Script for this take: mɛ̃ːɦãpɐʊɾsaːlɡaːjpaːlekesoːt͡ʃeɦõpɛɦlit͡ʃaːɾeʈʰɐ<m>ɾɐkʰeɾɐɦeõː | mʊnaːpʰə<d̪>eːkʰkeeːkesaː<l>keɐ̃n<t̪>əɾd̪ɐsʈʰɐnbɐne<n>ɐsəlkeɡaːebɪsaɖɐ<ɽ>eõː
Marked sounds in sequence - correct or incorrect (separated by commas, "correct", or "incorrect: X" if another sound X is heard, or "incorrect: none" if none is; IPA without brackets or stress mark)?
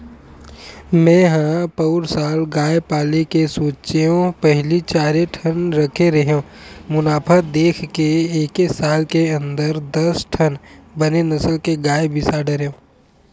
incorrect: n, correct, correct, incorrect: d̪, correct, incorrect: ɾ